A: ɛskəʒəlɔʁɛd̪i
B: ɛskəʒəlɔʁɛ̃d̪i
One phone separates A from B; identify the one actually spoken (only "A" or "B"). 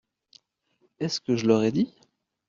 A